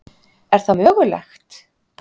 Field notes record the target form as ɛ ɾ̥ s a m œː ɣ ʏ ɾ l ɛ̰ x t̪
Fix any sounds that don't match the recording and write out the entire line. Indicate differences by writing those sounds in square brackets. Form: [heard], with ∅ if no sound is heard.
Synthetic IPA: ɛ ɾ̥ [θ] a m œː ɣ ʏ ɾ l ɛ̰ x t̪